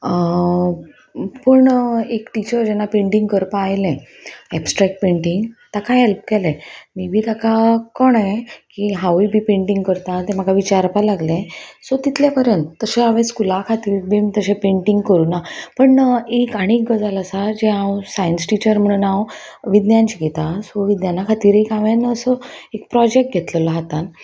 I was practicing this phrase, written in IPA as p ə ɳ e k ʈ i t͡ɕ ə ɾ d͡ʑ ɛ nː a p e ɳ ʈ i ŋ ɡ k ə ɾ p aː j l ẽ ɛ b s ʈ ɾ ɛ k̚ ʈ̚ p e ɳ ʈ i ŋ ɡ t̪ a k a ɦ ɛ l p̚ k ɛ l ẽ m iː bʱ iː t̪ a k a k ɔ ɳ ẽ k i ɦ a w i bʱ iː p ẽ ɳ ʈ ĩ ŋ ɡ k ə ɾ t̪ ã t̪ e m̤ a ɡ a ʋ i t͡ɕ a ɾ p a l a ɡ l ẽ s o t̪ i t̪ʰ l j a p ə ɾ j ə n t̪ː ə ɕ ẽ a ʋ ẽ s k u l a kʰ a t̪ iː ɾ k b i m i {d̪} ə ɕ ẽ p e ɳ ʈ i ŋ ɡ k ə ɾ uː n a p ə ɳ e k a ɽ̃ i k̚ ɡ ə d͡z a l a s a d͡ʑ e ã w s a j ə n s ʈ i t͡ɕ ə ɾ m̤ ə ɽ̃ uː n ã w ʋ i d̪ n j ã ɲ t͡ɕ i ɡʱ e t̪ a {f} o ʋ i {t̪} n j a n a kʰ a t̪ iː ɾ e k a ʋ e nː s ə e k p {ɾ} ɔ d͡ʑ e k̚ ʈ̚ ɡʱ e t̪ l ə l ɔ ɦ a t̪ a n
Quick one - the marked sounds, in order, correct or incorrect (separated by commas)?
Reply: incorrect, incorrect, incorrect, correct